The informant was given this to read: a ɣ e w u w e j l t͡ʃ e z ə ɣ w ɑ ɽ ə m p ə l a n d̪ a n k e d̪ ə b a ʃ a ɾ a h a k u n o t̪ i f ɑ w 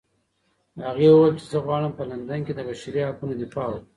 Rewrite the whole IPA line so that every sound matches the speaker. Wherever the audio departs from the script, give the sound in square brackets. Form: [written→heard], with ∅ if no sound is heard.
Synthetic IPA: a ɣ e w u w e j l t͡ʃ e z ə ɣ w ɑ ɽ ə m p ə l a n d̪ a n k e d̪ ə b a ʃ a ɾ [a→i] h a k u n o [t̪→d̪] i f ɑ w